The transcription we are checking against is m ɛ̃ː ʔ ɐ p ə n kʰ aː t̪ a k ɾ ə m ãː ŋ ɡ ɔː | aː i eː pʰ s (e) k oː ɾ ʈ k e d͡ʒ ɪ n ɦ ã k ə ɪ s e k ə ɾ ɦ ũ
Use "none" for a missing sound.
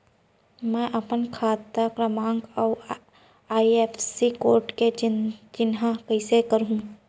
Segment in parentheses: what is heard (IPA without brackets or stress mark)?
i